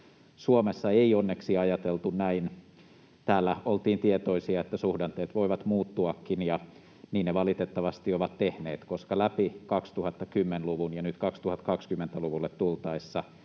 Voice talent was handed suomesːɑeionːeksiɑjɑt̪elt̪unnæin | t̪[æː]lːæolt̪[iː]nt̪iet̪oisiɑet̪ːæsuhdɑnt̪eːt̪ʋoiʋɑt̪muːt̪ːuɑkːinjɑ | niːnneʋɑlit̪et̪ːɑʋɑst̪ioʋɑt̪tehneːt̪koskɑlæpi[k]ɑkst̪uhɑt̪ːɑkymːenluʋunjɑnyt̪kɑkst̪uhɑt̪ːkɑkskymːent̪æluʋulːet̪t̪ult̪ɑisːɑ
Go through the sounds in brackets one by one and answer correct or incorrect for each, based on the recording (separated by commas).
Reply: correct, correct, correct